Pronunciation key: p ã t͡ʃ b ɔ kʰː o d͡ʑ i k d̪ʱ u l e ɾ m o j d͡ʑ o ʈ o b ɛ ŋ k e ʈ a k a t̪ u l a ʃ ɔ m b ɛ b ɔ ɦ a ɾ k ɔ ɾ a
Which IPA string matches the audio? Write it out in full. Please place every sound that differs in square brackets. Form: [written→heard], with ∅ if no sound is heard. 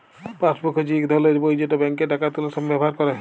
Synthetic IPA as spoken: p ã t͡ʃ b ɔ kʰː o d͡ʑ i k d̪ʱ [u→ɔ] l e ɾ [m→b] o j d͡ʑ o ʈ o b ɛ ŋ k e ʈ a k a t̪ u l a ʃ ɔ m b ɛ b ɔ ɦ a ɾ k ɔ ɾ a